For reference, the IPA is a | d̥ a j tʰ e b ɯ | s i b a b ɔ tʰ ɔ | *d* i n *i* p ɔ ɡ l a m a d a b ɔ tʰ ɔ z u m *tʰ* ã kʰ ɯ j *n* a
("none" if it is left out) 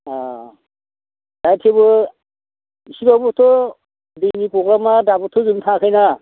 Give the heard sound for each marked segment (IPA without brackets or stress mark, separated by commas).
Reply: d, i, tʰ, n